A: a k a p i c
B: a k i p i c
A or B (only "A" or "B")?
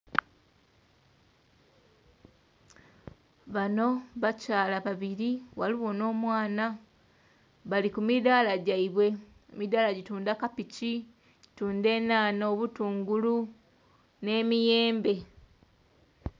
A